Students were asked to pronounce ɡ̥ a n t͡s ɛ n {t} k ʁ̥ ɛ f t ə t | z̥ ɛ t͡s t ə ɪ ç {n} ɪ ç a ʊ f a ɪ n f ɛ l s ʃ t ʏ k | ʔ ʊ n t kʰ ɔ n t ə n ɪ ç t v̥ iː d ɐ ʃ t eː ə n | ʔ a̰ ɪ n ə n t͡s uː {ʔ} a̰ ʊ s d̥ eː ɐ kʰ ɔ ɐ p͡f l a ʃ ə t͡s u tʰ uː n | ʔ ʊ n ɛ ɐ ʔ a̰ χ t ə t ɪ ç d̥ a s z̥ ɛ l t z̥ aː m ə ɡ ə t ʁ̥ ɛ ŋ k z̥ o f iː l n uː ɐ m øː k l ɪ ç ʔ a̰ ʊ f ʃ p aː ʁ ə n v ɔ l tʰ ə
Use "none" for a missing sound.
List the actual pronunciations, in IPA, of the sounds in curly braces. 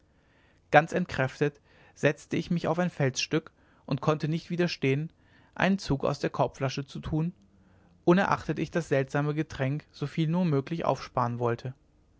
t, m, k

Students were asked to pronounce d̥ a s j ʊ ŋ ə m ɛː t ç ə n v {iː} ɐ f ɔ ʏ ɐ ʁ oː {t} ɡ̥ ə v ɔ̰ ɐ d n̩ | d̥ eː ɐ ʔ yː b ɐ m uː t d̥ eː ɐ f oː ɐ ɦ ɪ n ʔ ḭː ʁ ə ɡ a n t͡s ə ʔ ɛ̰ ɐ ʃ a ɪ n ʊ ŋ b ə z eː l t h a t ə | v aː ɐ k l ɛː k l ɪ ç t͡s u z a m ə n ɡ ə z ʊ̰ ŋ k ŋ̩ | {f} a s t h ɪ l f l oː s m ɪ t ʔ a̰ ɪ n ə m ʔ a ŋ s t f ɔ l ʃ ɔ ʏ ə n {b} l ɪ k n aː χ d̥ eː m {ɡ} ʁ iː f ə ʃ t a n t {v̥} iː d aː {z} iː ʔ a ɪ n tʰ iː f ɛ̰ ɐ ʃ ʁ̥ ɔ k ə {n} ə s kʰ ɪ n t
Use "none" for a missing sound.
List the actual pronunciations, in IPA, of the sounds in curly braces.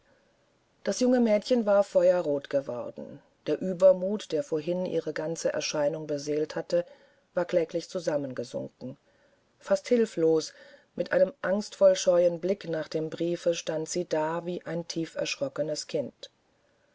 aː, t, f, b, b, z̥, v, n

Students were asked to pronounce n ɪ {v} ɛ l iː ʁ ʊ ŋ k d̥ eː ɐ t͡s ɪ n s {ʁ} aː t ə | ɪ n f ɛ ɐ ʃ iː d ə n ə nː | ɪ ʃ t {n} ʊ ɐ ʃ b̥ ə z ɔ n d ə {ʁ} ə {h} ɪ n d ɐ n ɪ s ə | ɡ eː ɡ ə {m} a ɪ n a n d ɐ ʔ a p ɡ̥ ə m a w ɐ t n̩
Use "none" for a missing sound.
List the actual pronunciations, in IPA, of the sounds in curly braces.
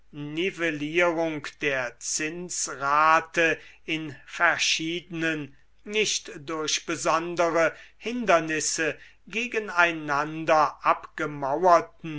v, ʁ, d, ʁ, h, n

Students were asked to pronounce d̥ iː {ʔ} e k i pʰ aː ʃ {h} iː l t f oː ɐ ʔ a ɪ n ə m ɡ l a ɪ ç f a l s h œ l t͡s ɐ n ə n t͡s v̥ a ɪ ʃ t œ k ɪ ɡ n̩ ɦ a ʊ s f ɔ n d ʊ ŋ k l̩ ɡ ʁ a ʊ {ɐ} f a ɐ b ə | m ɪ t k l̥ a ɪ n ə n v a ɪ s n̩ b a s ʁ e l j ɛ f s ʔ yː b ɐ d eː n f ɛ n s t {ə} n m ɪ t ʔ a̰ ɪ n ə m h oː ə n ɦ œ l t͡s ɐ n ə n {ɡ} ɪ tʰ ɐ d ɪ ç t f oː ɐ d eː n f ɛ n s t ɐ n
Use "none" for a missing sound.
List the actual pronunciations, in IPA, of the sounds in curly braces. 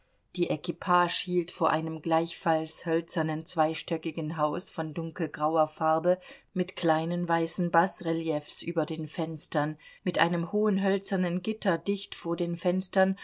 ʔ, h, ɐ, ɐ, ɡ

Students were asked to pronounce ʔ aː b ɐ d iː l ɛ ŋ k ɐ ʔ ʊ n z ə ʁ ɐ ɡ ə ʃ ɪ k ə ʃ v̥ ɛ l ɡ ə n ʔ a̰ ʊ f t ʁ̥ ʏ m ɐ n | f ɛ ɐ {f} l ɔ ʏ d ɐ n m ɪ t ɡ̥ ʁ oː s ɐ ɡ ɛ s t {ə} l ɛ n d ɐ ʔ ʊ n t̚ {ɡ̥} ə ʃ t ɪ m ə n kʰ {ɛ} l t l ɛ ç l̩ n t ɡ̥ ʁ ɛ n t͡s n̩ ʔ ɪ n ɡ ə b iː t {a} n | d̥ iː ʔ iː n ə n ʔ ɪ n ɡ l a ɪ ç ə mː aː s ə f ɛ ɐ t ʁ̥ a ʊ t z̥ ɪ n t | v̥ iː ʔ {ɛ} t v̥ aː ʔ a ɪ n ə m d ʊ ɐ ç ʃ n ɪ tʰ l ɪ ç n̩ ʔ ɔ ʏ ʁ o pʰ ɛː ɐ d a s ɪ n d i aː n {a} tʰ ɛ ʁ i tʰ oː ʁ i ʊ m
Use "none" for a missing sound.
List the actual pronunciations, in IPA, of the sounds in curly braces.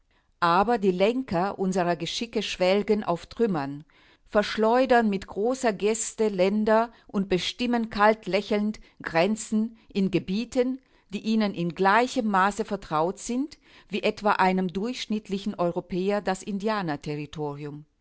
ʃ, ə, b̥, a, ə, ɛ, ɐ

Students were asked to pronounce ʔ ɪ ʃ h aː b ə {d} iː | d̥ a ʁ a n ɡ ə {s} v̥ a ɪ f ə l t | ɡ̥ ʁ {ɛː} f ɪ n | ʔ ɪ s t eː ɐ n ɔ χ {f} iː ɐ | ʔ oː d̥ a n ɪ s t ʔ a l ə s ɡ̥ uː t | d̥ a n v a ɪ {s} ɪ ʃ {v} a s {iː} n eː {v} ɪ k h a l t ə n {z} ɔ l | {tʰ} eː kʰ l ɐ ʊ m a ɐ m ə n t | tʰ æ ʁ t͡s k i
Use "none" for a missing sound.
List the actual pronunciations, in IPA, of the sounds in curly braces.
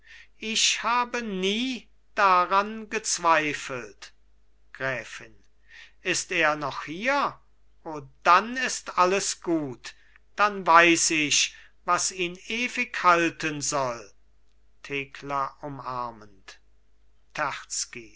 n, t͡s, ɛː, h, s, v, iː, v, z, tʰ

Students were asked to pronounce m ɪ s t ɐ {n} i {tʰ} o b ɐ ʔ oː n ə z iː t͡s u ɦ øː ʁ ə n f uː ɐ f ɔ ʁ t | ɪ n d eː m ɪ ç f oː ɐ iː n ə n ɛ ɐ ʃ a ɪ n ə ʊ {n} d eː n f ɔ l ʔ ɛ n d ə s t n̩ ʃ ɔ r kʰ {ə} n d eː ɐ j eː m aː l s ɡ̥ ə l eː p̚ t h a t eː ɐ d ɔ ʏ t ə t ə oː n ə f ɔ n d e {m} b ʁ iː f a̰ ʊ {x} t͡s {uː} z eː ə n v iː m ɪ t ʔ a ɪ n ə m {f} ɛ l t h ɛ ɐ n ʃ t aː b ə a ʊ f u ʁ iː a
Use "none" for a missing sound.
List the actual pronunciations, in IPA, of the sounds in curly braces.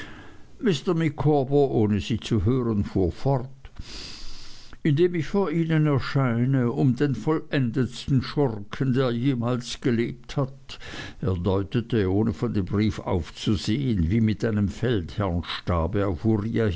m, kʰ, m, ə, m, f, u, f

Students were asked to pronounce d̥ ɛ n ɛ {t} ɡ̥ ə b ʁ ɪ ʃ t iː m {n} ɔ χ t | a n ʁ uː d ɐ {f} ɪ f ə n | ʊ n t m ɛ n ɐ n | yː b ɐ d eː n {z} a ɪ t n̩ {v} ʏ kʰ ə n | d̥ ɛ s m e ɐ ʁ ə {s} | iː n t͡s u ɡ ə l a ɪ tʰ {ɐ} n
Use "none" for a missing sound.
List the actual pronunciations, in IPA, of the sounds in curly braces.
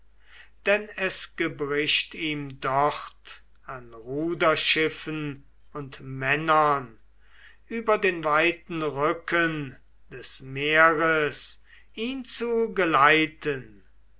s, d, ʃ, v, ʁ, s, ə

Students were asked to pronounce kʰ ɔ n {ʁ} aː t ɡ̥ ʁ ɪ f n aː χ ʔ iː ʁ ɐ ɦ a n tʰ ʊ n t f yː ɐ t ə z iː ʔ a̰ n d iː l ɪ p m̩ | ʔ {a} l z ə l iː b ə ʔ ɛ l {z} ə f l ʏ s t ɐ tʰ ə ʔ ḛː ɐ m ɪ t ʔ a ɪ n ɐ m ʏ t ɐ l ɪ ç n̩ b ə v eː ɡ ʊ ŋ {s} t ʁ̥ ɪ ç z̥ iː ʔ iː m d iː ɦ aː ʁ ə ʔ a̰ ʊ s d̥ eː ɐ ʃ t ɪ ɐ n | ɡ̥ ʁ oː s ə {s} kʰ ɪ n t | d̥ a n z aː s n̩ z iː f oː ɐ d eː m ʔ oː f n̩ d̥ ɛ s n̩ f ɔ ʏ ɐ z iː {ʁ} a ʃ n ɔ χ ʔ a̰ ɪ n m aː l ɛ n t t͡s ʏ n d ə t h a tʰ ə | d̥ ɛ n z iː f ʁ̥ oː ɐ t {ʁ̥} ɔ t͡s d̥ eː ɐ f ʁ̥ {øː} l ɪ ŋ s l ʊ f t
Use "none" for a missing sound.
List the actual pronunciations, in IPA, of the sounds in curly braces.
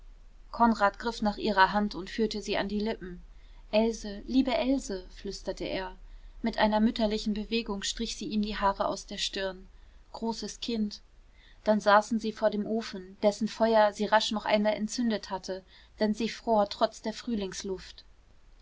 ʁ, ɛ, z, ʃ, s, ʁ, ʁ̥, yː

